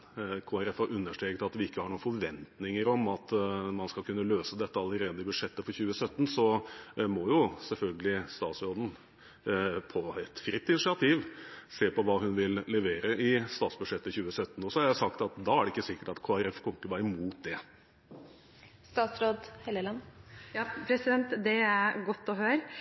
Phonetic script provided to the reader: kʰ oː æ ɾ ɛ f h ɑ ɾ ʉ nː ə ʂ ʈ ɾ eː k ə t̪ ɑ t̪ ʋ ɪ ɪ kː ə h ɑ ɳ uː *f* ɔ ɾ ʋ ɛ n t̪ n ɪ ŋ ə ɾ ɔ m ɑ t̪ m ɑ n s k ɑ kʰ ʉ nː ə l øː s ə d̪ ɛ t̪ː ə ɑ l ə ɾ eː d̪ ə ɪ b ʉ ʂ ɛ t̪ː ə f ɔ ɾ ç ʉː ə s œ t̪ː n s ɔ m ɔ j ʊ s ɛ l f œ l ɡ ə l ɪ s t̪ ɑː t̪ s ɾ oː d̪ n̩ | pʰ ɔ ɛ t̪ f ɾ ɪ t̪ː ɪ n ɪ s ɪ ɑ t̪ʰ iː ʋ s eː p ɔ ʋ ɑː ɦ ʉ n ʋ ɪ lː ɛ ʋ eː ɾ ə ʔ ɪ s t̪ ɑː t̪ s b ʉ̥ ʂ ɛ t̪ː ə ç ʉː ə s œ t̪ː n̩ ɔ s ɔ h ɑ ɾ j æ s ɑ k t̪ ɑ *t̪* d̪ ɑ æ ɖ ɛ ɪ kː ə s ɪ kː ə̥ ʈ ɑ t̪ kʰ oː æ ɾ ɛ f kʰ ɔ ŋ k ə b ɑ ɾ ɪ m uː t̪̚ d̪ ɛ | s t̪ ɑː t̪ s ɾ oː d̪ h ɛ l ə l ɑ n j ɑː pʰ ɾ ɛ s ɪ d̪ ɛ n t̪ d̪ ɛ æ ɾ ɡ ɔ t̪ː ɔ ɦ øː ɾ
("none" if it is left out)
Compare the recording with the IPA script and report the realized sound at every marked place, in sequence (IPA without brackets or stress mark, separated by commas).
f, t̪